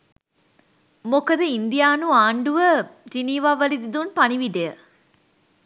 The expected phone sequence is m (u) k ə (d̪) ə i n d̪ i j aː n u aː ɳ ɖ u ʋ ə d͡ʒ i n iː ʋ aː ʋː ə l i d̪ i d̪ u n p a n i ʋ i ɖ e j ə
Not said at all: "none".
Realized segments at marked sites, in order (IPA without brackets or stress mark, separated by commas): o, d̪